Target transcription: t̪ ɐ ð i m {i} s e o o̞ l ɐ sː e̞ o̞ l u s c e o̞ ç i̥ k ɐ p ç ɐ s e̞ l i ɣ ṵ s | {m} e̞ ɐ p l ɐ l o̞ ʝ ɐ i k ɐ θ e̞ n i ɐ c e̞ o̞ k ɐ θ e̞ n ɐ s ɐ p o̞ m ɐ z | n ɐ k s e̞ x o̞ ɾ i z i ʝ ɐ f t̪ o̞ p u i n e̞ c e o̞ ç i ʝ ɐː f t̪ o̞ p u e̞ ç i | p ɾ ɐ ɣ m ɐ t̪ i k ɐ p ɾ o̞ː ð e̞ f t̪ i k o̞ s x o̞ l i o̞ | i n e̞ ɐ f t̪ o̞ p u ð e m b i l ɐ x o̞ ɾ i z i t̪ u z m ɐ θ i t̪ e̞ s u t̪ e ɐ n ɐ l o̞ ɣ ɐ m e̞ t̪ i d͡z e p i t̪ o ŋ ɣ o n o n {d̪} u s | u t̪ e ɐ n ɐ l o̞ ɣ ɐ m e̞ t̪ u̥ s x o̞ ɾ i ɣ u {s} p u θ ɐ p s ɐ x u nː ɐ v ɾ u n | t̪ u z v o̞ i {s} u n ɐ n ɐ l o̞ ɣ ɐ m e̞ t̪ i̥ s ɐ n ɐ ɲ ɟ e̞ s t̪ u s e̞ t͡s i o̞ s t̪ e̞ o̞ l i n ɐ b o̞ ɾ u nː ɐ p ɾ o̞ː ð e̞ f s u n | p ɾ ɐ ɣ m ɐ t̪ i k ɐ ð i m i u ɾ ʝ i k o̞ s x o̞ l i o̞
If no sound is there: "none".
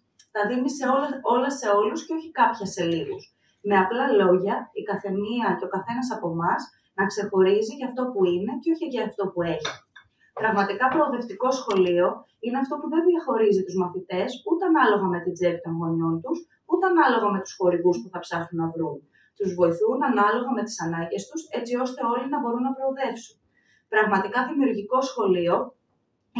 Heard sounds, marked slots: i, m, t̪, s, θ

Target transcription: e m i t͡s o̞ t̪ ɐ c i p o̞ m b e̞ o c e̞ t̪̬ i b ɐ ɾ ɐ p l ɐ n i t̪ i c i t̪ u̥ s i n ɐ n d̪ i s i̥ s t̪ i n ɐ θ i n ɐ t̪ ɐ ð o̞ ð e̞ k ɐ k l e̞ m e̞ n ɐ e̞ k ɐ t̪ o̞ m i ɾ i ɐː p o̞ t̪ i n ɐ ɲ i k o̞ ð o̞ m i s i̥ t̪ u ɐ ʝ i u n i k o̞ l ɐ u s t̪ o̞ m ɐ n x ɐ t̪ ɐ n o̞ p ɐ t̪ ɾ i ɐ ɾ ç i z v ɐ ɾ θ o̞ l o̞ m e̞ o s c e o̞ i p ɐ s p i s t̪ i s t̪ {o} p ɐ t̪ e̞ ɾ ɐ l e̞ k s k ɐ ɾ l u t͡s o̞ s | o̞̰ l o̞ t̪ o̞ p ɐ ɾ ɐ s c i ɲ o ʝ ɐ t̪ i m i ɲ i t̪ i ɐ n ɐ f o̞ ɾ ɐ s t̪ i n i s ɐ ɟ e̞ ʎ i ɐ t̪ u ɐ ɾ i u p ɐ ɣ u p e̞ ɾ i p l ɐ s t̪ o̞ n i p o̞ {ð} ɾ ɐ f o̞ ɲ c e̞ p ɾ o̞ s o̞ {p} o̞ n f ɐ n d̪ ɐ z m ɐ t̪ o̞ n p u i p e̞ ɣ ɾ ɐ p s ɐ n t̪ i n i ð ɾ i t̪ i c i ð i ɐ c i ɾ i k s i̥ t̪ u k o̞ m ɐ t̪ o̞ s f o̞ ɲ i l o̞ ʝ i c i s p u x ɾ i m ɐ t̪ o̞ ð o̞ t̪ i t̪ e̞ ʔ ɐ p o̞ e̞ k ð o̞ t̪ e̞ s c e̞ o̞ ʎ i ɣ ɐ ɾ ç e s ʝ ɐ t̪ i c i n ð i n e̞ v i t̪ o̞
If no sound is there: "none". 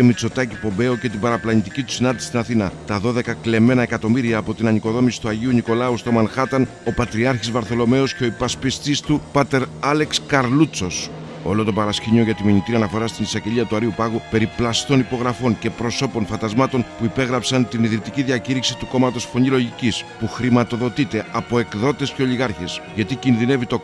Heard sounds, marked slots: u, ɣ, p

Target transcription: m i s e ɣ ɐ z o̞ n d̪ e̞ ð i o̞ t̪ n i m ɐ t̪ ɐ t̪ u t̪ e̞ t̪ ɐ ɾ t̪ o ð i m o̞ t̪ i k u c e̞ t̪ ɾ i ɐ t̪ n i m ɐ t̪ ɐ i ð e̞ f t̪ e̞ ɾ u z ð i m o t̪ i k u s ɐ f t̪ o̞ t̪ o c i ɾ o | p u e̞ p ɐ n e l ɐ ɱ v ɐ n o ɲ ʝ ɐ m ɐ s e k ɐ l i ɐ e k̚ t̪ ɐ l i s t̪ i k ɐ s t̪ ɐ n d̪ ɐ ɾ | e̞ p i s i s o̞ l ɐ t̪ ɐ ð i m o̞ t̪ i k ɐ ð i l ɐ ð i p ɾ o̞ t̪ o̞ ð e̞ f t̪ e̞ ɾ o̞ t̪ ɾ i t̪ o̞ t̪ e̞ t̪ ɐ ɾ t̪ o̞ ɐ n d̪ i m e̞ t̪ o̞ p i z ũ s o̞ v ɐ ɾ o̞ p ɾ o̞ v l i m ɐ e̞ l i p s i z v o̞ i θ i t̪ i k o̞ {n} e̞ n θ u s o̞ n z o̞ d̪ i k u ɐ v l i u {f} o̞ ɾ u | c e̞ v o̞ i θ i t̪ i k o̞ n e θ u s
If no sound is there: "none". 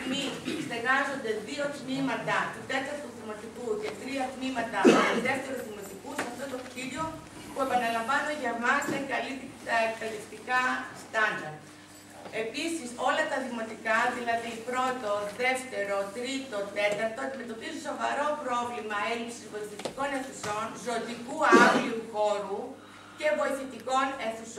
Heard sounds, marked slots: n, x

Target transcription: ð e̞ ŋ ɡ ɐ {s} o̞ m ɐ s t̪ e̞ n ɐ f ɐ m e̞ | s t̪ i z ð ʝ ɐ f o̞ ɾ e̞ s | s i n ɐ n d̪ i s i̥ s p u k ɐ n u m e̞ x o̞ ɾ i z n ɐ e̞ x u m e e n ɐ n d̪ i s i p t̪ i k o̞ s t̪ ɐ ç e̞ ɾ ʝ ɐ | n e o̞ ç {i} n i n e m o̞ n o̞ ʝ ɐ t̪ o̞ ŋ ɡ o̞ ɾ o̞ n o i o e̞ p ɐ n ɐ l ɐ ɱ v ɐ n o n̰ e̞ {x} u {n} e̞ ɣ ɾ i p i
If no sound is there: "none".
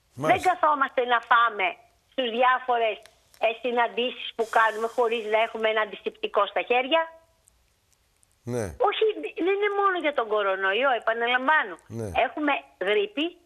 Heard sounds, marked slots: θ, i, x, m

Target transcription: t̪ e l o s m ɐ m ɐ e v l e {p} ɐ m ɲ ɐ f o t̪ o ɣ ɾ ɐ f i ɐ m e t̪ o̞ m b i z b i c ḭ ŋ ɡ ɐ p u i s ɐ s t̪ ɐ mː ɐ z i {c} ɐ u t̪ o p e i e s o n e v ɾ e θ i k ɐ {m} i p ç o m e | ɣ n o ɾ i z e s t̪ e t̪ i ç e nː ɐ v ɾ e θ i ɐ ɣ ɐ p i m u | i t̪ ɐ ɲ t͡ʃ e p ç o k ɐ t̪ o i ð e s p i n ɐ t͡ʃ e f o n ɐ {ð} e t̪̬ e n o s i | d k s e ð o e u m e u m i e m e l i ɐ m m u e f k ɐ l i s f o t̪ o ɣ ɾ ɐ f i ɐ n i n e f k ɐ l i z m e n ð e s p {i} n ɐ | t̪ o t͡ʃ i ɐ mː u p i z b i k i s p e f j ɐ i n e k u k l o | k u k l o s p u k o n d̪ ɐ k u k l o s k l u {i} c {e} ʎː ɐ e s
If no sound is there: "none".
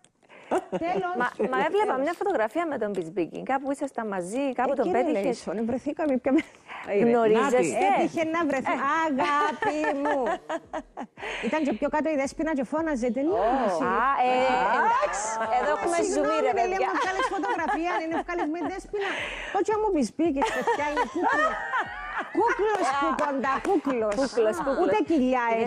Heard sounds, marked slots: p, k, m, z, i, e, i

